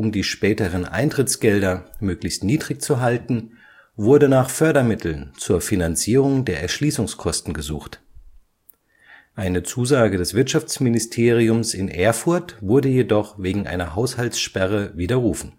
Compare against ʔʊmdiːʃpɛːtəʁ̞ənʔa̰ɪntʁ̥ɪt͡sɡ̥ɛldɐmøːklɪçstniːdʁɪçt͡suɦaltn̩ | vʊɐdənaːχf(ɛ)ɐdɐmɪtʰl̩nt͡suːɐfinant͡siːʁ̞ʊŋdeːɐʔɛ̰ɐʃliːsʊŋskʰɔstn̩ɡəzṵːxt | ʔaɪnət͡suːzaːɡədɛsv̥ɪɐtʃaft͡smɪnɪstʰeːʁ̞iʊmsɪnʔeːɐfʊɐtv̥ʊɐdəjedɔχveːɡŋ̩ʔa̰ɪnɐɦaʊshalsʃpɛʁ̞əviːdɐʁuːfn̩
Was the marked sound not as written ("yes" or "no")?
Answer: yes